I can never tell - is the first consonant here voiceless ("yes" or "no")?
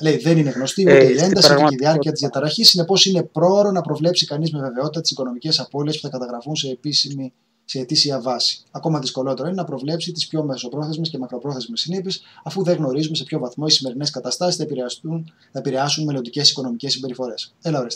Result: no